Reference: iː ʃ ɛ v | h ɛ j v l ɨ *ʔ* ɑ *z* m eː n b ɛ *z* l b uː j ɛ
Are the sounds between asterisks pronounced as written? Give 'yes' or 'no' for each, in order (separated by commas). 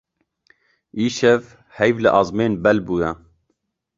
yes, yes, no